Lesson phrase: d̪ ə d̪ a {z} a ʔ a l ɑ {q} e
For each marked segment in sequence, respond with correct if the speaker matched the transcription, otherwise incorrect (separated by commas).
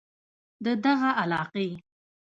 incorrect, correct